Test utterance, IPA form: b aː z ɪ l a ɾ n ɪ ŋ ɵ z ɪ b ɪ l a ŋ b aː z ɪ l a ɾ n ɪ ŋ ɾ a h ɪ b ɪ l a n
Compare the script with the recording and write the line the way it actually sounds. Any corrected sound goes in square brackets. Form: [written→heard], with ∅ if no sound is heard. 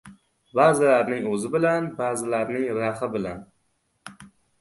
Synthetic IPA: b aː z ɪ l a ɾ n ɪ ŋ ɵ z ɪ b ɪ l a [ŋ→n] b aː z ɪ l a ɾ n ɪ ŋ ɾ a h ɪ b ɪ l a n